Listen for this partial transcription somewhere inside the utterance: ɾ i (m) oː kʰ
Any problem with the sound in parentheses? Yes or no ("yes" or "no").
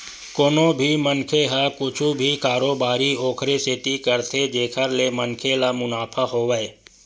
yes